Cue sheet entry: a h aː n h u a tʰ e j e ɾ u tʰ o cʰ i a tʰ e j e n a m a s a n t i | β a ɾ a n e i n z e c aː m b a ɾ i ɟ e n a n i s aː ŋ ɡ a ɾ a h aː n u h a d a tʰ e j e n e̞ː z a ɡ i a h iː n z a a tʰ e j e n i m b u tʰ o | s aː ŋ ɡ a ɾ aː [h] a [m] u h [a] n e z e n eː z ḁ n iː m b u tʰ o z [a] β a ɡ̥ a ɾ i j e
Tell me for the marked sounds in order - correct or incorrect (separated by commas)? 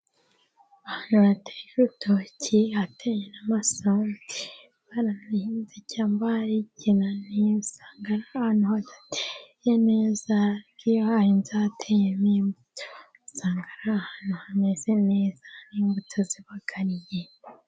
correct, incorrect, correct, incorrect